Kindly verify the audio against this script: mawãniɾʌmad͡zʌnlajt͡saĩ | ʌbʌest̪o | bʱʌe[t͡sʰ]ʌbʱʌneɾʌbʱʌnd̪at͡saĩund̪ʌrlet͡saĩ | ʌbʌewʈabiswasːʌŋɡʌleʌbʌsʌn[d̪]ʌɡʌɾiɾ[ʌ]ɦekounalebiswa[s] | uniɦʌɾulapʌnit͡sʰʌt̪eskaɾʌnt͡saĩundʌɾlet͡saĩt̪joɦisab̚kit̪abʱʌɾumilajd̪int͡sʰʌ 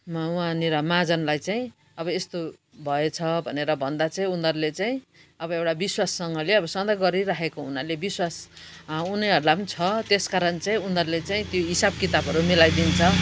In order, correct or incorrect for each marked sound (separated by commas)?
correct, correct, incorrect, correct